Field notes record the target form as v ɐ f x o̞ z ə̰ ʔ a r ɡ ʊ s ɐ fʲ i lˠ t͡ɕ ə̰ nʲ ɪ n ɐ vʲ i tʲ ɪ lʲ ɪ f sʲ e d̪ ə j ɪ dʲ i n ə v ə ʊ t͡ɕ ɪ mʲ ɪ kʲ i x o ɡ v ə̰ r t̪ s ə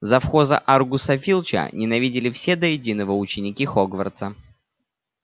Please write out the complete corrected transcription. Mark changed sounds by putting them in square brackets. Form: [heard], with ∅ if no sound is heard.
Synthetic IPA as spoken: [z] ɐ f x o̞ z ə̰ ʔ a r ɡ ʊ s ɐ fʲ i lˠ t͡ɕ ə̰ nʲ ɪ n ɐ vʲ i [dʲ] ɪ lʲ ɪ f sʲ e d̪ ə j ɪ dʲ i n ə v ə ʊ t͡ɕ ɪ [nʲ] ɪ kʲ i x o ɡ v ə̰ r t̪ s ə